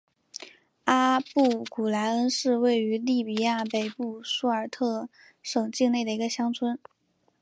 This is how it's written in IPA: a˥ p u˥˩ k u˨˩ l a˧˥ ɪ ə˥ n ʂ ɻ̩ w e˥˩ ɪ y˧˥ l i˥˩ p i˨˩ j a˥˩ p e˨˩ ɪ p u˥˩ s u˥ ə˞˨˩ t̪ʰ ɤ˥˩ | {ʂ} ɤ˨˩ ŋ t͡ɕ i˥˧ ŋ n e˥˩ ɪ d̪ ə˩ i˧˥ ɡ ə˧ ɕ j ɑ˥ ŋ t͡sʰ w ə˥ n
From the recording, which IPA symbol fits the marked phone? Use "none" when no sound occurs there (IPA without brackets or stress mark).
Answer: ʂ